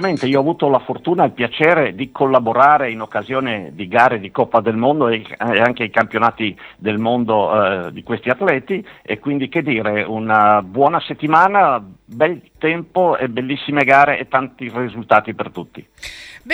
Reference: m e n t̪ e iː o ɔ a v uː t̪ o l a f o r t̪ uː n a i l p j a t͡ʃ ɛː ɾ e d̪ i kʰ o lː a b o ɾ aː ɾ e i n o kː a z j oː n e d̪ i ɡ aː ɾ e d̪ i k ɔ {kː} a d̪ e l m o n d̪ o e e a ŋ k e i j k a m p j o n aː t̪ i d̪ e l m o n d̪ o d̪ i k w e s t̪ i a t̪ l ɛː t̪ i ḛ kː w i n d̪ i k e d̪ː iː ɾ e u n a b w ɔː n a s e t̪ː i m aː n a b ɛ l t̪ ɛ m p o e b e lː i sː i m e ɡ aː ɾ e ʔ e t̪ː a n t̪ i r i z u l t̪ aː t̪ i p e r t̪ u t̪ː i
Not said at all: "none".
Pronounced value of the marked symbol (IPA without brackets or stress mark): pː